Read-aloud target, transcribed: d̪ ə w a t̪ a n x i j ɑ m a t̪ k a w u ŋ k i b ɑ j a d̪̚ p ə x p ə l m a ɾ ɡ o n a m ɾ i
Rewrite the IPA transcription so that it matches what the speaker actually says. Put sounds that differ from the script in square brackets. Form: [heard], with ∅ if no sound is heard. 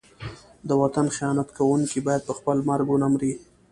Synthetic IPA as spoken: d̪ ə w a t̪ a n x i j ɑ [n] a t̪ k a w u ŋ k i b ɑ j a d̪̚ p ə x p ə l m a ɾ ɡ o n a m ɾ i